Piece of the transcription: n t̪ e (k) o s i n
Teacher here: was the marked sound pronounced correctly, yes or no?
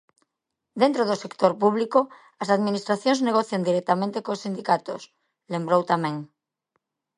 yes